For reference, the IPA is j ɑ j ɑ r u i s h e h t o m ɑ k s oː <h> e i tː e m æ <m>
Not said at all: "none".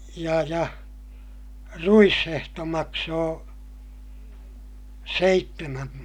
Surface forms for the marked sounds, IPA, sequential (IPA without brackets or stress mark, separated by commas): s, m